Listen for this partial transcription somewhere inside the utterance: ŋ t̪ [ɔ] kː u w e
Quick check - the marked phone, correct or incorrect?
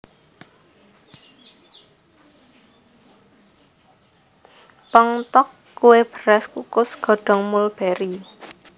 correct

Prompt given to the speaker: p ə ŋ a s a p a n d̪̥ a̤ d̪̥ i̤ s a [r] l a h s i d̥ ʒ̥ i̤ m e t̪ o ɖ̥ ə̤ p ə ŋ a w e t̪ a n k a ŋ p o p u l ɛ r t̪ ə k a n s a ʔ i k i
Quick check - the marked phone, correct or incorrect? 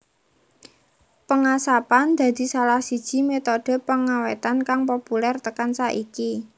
incorrect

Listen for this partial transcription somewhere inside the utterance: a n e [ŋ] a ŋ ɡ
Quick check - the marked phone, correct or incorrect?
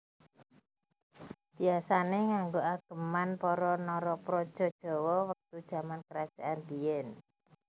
correct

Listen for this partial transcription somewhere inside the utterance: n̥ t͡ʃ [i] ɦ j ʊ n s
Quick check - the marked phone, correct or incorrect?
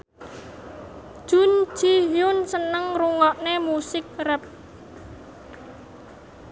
correct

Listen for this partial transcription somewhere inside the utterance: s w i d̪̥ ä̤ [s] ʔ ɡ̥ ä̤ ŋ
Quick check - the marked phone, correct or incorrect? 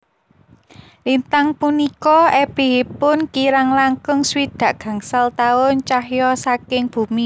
incorrect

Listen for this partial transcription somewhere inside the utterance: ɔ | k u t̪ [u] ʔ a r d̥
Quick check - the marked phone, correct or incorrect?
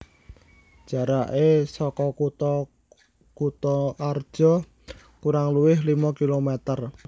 incorrect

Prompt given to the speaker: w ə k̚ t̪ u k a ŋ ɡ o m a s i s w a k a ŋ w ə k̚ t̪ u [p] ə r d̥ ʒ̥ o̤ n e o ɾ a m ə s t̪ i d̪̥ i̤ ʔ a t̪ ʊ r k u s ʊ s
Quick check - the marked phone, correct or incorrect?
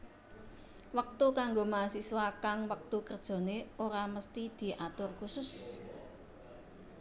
incorrect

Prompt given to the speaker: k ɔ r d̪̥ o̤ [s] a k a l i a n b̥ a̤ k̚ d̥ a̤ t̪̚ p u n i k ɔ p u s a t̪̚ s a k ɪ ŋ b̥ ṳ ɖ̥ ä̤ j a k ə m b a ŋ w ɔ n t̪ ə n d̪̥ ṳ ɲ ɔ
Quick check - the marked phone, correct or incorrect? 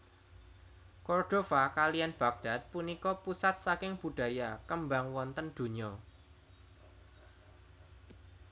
incorrect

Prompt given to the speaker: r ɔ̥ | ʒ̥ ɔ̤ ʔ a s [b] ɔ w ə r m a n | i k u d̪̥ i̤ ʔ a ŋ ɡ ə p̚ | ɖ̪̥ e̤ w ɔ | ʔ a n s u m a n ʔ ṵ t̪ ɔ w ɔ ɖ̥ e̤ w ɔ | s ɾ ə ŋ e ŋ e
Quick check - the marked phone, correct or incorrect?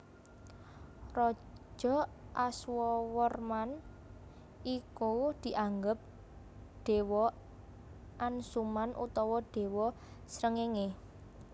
incorrect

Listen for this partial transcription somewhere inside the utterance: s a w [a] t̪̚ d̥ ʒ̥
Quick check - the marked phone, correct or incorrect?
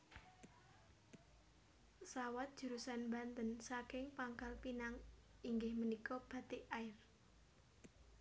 correct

